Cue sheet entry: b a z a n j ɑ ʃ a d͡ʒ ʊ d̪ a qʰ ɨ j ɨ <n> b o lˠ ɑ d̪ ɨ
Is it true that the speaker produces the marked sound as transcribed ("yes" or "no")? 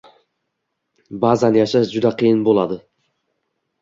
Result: yes